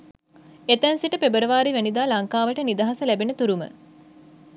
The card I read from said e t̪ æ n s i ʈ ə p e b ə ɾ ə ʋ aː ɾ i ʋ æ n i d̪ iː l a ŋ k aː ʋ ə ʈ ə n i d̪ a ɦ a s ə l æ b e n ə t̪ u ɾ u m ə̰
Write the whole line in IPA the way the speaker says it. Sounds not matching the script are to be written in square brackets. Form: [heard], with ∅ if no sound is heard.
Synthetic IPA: e t̪ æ n s i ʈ ə p e b ə ɾ ə ʋ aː ɾ i ʋ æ n i d̪ [aː] l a ŋ k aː ʋ ə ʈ ə n i d̪ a ɦ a s ə l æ b e n ə t̪ u ɾ u m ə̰